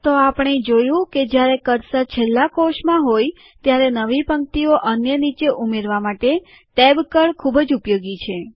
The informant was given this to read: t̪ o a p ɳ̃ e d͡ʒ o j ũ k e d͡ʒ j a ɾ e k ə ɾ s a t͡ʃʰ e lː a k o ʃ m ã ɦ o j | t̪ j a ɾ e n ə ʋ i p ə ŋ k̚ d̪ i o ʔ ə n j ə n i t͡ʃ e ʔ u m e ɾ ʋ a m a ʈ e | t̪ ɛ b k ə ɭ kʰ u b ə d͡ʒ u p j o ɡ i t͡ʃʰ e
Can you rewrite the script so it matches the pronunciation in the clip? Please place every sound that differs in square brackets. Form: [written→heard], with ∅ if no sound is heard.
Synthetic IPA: t̪ o a p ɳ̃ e d͡ʒ o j ũ k e d͡ʒ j a ɾ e k ə ɾ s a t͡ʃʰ e lː a k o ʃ m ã ɦ o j | t̪ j a ɾ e n ə ʋ i p ə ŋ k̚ [d̪→t̪] i o ʔ ə n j ə n i t͡ʃ e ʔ u m e ɾ ʋ a m a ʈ e | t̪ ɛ b k ə ɭ kʰ u b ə d͡ʒ u p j o ɡ i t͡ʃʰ e